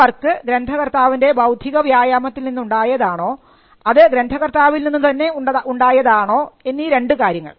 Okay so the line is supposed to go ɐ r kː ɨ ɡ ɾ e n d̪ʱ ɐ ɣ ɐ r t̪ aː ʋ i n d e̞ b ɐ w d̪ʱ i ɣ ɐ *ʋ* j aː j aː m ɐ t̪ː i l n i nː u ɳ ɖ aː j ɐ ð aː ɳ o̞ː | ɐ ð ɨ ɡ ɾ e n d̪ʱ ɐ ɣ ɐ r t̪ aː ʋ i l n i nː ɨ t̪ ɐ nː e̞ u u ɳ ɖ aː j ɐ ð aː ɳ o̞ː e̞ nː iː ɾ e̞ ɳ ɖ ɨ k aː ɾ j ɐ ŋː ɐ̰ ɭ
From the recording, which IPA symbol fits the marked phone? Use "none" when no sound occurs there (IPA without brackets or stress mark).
ʋ